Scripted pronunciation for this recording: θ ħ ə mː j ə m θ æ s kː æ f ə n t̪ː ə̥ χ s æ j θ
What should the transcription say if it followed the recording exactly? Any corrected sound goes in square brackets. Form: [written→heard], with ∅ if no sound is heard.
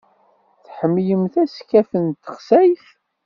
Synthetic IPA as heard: θ ħ ə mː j ə m θ æ s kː æ f ə n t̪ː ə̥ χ s æ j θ